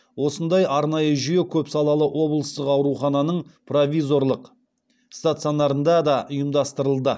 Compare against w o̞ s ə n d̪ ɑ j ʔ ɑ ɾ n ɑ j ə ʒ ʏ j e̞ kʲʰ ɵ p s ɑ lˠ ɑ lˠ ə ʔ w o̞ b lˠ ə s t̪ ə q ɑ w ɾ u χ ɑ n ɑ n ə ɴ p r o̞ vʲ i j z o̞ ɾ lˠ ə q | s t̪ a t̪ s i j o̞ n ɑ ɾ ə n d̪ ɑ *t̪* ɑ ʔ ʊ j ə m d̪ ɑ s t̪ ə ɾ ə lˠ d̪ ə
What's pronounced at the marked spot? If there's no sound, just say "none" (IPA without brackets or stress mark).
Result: d̪